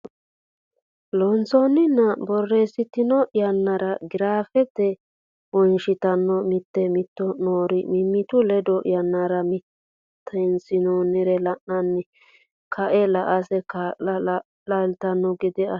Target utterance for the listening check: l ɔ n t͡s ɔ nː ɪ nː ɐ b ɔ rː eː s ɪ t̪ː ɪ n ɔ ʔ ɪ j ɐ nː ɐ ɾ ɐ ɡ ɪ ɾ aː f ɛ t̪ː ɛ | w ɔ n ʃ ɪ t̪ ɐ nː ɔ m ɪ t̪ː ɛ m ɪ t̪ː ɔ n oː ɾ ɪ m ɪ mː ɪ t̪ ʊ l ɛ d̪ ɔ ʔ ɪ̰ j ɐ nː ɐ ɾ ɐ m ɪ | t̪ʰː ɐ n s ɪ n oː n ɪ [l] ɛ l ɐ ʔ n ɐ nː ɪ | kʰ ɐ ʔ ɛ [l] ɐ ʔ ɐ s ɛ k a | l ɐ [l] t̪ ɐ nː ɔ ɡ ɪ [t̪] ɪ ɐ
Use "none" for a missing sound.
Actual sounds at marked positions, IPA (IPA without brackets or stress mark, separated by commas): ɾ, l, l, d̪